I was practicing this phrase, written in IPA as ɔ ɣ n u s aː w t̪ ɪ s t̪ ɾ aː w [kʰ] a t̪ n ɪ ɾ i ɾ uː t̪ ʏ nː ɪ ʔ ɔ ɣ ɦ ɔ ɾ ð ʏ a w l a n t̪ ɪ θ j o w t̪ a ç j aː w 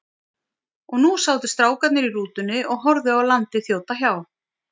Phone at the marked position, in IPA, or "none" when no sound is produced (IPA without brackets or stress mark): k